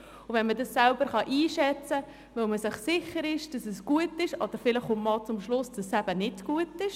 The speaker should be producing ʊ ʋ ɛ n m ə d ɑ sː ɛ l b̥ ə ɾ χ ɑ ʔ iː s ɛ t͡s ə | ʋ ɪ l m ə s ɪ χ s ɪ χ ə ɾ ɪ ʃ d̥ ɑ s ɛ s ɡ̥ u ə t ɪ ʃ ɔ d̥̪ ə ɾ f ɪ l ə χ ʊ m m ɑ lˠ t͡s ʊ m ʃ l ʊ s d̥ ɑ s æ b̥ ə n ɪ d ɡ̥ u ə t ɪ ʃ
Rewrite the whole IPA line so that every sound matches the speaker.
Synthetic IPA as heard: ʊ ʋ ɛ n m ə d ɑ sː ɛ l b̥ ə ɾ χ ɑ ʔ iː ʃ ɛ t͡s ə | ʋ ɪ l m ə s ɪ χ s ɪ χ ə ɾ ɪ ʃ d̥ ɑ s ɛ s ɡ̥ u ə t ɪ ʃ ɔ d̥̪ ə ɾ f ɪ l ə χ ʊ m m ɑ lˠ t͡s ʊ m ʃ l ʊ s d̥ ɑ s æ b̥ ə n ɪ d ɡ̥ u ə t ɪ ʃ